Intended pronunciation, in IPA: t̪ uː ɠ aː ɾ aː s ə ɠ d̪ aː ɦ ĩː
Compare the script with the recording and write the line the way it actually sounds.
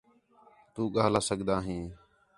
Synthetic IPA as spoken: t̪ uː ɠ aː l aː s ə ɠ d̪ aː ɦ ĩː